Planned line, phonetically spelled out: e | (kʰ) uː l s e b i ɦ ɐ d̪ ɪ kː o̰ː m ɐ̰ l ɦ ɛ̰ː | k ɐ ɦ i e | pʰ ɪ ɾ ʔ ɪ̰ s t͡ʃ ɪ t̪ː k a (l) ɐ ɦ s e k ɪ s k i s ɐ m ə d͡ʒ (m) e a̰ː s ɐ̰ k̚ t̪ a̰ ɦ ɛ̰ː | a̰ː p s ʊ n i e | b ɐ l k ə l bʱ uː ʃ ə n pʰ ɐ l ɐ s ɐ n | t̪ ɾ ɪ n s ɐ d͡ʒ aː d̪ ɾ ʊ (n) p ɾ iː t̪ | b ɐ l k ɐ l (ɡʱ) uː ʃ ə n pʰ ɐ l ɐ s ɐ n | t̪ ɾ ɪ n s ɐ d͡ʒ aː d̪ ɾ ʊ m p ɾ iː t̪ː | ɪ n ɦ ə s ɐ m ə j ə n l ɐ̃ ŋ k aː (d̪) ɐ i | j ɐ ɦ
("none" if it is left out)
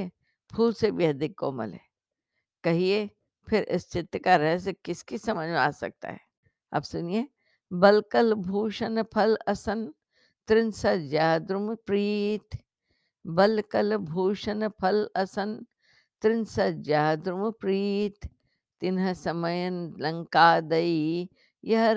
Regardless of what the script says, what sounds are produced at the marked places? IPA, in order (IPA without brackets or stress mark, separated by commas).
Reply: pʰ, ɾ, m, m, bʱ, d̪